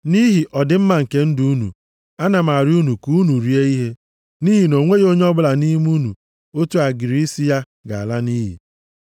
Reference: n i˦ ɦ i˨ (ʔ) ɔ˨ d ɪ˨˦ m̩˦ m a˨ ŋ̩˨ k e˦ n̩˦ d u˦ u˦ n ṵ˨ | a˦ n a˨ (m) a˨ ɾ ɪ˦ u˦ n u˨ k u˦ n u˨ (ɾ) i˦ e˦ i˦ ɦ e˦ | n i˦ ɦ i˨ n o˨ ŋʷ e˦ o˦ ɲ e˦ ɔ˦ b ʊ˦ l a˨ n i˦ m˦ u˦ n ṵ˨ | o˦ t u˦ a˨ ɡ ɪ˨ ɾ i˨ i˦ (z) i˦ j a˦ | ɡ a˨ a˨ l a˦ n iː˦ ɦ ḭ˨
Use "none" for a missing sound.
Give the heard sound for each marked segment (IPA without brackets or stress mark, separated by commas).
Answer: ʔ, m, ɾ, s